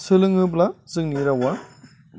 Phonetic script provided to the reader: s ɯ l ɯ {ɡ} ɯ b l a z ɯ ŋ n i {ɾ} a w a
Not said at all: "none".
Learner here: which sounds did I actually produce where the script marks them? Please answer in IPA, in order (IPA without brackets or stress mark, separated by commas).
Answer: ŋ, ɾ